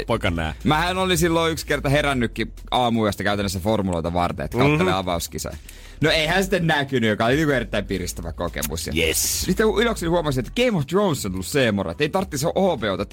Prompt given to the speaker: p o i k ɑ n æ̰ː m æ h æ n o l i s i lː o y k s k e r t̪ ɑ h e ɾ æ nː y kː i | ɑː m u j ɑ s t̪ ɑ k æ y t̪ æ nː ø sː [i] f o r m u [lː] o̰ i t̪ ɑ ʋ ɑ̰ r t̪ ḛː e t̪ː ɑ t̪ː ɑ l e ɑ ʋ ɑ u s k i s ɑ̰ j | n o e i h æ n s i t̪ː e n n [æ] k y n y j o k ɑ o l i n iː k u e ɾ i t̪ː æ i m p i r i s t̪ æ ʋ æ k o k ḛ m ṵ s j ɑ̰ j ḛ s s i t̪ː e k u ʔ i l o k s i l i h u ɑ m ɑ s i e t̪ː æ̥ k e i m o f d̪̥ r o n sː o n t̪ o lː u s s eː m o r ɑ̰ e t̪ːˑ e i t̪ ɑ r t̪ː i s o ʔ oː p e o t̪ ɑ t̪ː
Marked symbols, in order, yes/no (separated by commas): no, no, yes